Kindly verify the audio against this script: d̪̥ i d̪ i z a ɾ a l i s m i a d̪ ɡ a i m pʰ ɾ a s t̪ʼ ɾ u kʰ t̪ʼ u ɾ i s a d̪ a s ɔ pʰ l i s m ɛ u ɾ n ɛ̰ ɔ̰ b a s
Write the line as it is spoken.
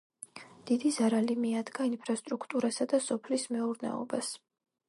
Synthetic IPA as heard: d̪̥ i d̪ i z a ɾ a l i m i a d̪ ɡ a i n pʰ ɾ a s t̪ʼ ɾ u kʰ t̪ʼ u ɾ a s a d̪ a s ɔ pʰ l i s m ɛ u ɾ n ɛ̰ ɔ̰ b a s